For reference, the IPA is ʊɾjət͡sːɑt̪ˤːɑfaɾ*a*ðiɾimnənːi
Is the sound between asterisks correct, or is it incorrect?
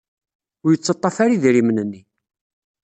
incorrect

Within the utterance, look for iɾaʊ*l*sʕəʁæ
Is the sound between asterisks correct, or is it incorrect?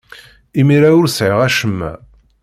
incorrect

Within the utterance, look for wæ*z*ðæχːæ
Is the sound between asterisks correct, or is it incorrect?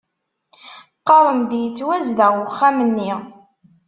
correct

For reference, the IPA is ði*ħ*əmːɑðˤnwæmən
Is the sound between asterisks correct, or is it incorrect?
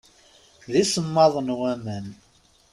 incorrect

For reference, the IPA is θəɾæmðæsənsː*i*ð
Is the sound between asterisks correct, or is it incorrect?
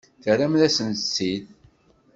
correct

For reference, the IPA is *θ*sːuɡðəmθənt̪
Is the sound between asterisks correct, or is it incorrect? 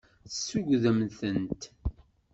correct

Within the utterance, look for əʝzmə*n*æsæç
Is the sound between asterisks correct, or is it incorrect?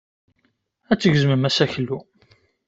incorrect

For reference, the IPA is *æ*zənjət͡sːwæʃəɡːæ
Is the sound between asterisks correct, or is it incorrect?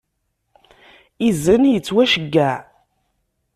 incorrect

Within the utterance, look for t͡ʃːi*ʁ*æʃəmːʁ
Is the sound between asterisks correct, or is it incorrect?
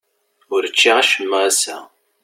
correct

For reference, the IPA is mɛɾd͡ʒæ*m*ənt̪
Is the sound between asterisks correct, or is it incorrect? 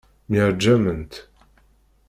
correct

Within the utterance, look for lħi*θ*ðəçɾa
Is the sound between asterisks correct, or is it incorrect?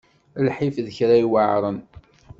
incorrect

